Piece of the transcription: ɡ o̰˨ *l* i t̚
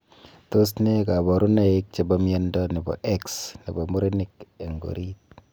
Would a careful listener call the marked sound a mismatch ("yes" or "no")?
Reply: yes